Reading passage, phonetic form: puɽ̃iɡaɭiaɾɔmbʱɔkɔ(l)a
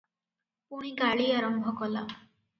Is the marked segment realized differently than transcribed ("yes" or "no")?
no